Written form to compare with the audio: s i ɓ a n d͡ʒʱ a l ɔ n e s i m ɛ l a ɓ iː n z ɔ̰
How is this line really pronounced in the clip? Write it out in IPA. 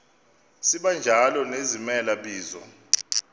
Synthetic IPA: s i ɓ a n d͡ʒʱ a l ɔ n e z i m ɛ l a ɓ iː z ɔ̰